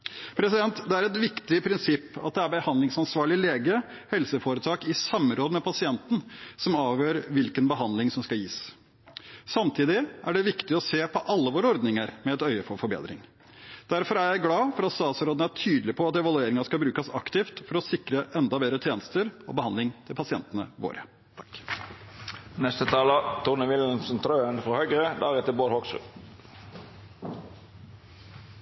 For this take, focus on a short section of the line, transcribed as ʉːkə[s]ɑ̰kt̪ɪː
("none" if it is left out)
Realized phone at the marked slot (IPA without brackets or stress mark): s